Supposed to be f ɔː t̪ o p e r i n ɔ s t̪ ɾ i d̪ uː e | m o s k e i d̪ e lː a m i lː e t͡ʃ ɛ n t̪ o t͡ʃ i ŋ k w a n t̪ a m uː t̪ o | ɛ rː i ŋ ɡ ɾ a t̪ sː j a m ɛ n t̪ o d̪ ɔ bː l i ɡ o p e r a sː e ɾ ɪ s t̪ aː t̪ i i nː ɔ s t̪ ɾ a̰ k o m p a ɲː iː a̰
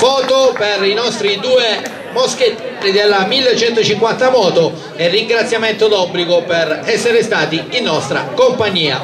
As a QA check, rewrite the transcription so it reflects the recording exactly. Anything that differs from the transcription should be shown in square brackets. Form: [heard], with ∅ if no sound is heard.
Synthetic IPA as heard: f ɔː t̪ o p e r i n ɔ s t̪ ɾ i d̪ uː e | m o s k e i d̪ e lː a m i lː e t͡ʃ ɛ n t̪ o t͡ʃ i ŋ k w a n t̪ a m [ɔː] t̪ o | ɛ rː i ŋ ɡ ɾ a t̪ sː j a m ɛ n t̪ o d̪ ɔ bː l i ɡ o p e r [ɛ] sː e ɾ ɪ s t̪ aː t̪ i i nː ɔ s t̪ ɾ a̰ k o m p a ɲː iː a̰